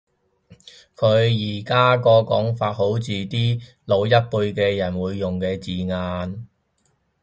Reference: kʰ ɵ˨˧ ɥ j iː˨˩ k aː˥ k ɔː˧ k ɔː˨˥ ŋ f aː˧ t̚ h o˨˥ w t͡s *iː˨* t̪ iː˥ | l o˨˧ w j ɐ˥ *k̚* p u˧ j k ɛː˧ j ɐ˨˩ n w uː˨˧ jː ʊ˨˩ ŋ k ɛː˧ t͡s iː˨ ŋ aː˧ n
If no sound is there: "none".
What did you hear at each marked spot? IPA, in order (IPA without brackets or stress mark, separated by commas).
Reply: iː˨, t̚